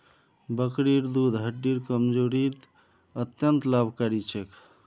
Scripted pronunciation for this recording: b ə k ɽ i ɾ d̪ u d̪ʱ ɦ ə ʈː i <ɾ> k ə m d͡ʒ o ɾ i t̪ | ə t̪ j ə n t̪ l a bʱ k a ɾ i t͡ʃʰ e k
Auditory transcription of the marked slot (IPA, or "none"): ɾ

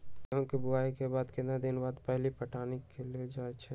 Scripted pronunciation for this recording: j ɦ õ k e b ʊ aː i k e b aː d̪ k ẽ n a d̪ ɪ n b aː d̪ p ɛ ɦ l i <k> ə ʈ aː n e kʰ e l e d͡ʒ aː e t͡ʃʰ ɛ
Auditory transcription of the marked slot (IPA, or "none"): p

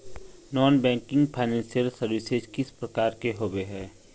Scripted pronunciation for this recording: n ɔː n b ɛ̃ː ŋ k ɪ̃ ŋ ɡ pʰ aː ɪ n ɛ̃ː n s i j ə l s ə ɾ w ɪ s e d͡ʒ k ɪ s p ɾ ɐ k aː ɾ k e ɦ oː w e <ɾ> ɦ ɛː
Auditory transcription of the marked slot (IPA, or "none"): none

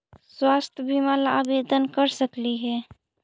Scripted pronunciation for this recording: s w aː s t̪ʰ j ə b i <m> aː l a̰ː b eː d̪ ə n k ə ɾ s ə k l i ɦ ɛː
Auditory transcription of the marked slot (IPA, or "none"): m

